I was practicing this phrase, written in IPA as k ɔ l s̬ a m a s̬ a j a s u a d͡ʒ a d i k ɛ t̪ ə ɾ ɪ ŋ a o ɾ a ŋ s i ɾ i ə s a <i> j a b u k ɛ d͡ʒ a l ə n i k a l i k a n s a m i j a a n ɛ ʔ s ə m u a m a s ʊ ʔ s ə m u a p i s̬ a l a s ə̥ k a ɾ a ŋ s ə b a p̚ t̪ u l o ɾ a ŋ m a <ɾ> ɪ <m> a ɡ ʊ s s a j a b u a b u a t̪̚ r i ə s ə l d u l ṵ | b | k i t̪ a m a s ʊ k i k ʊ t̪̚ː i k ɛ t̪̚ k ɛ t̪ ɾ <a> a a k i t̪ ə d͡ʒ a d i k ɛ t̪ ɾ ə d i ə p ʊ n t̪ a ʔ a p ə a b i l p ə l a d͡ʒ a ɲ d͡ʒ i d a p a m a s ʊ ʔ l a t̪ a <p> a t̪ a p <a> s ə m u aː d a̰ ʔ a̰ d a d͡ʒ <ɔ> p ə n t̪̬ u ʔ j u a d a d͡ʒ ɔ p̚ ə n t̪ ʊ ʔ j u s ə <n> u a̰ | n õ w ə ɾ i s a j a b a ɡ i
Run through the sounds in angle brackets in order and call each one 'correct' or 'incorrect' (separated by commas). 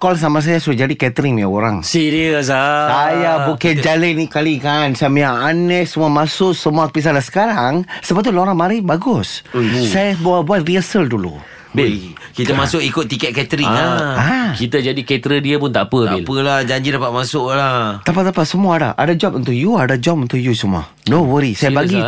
incorrect, correct, incorrect, incorrect, correct, correct, correct, incorrect